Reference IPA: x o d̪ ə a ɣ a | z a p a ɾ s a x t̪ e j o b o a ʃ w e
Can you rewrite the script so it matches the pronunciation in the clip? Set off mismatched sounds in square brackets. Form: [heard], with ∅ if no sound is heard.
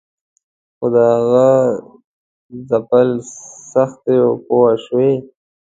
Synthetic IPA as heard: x o d̪ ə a ɣ a | z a p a [l] s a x t̪ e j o [p] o a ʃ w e